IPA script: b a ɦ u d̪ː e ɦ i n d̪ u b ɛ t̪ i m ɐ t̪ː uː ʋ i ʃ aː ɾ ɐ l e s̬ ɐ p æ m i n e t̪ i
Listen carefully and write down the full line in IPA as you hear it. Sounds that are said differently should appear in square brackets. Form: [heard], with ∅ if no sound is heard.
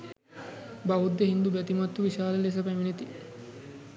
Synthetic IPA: b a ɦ u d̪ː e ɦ i n d̪ u b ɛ t̪ i m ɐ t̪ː [u] ʋ i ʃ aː [l] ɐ l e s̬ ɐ p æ m i n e t̪ i